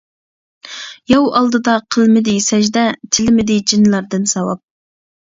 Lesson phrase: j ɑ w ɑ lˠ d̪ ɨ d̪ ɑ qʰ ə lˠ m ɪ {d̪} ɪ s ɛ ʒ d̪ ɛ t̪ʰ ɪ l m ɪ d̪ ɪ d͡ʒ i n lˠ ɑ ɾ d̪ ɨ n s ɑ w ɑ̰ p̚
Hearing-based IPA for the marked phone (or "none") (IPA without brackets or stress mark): d̪